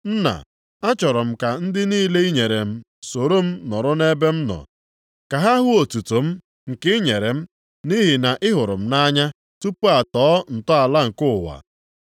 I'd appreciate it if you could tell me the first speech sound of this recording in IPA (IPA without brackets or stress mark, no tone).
n̩